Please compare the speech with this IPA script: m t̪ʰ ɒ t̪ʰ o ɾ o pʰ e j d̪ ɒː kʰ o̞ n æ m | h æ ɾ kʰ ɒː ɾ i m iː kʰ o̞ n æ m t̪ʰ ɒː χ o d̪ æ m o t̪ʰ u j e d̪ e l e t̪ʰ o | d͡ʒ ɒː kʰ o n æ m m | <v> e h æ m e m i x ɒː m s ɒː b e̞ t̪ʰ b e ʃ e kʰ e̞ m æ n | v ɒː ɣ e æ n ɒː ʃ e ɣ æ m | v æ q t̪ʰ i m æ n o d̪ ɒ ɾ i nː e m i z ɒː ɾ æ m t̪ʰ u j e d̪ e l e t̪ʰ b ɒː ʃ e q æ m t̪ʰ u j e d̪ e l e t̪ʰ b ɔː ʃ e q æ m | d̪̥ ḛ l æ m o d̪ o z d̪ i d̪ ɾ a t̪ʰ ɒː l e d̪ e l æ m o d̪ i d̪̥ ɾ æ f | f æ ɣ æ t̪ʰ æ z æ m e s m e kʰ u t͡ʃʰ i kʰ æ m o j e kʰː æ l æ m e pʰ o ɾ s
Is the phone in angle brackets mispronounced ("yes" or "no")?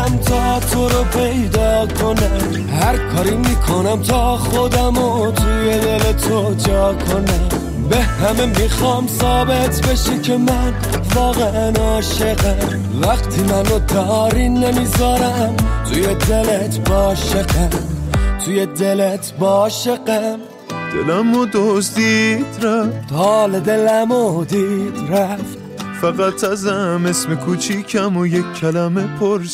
yes